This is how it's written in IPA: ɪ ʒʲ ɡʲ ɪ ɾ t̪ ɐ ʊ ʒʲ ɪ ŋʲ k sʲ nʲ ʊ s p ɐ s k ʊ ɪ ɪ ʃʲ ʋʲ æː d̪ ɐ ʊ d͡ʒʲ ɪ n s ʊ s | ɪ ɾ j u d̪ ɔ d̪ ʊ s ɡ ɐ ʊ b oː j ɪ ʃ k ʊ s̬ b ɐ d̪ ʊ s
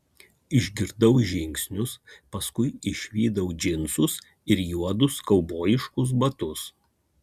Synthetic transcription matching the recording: ɪ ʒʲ ɡʲ ɪ ɾ d̪ ɐ ʊ ʒʲ ɪ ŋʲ k sʲ nʲ ʊ s p ɐ s k ʊ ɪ ɪ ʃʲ ʋʲ iː d̪ ɐ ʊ d͡ʒʲ ɪ n s ʊ s | ɪ ɾ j u ɔ d̪ ʊ s k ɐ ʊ b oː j ɪ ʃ k ʊ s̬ b ɐ t̪ ʊ s